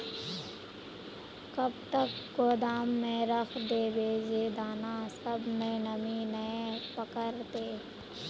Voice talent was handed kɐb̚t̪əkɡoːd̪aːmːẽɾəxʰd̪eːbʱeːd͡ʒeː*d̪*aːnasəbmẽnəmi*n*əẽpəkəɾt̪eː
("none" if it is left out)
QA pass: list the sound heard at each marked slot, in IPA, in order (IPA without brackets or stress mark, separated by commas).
d̪, n